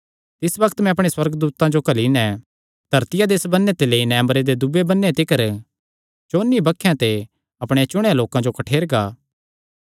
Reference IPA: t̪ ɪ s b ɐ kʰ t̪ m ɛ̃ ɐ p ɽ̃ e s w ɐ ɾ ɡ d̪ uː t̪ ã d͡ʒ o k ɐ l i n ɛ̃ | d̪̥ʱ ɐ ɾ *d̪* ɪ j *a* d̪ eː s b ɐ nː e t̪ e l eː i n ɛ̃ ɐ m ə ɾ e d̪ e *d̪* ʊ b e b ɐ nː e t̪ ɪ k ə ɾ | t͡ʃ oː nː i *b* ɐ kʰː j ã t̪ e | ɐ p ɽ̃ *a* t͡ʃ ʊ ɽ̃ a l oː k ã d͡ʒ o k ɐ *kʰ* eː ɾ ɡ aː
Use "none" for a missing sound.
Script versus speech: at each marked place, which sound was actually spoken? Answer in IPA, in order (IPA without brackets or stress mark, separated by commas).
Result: t̪, a, d̪, b, e, ʈʰ